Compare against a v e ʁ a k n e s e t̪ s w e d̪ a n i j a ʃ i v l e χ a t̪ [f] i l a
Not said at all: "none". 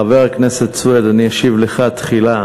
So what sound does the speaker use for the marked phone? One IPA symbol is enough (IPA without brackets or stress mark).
χ